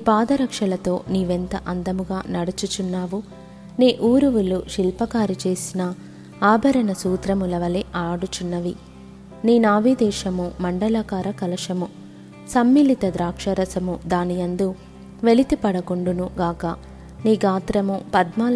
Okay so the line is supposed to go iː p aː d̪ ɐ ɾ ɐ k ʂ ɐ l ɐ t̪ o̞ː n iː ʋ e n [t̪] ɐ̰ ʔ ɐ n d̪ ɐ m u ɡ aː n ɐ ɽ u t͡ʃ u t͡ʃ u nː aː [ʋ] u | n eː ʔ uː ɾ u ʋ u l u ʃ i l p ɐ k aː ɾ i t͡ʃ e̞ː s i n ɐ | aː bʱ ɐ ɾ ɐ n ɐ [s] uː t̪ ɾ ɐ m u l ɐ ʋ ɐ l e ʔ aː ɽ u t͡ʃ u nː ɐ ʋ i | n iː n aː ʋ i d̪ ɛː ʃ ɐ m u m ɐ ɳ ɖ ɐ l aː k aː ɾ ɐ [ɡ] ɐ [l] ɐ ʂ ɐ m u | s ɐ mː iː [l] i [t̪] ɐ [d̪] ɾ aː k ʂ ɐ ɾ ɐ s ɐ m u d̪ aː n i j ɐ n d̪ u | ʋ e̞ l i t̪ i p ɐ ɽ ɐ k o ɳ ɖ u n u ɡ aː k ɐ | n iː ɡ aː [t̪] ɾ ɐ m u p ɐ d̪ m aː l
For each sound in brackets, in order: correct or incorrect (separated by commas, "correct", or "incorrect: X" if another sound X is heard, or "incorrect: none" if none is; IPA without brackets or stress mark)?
correct, correct, correct, incorrect: k, correct, correct, correct, correct, correct